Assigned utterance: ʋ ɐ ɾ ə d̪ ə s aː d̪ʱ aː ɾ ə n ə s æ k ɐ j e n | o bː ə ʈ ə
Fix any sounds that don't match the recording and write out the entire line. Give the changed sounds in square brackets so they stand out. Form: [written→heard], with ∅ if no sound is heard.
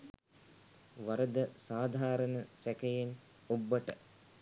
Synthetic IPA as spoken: ʋ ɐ ɾ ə d̪ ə s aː d̪ʱ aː ɾ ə n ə s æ k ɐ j e n | o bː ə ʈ ə